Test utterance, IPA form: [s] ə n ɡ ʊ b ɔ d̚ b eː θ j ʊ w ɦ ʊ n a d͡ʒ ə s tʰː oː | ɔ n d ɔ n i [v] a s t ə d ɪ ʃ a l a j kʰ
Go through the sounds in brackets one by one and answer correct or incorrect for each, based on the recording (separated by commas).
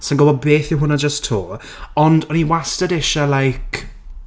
correct, incorrect